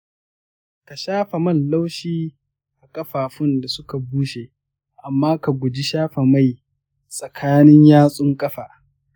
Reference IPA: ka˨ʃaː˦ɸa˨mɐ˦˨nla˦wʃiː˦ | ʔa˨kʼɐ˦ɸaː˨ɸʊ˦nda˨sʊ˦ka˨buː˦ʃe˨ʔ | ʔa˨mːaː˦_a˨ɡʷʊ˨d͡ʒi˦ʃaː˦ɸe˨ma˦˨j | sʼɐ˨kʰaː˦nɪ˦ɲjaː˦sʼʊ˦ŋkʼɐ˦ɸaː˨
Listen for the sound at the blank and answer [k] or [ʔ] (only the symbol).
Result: k